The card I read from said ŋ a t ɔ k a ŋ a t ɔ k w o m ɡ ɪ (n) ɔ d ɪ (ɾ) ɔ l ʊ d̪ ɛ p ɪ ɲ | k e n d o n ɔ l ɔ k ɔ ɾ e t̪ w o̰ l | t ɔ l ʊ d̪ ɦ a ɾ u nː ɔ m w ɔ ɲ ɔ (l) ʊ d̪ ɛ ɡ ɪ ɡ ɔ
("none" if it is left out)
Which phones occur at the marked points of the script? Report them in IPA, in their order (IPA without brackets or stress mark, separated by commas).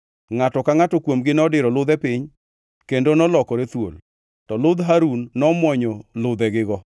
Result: n, ɾ, l